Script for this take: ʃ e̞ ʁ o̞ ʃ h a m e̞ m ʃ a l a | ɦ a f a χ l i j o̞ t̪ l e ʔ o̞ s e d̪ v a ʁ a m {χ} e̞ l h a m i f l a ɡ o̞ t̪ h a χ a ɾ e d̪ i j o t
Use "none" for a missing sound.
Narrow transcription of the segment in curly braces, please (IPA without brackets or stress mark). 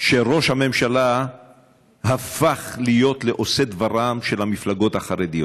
ʃ